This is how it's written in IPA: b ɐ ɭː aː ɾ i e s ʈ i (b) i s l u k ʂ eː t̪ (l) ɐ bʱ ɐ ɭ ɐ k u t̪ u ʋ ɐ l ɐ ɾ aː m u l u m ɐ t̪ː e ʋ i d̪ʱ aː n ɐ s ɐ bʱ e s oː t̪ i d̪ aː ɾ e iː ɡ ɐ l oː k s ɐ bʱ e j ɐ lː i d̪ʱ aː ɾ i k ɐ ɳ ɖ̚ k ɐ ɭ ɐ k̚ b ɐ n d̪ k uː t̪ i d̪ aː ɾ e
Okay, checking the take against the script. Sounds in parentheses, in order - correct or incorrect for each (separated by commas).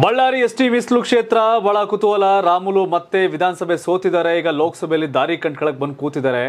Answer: incorrect, incorrect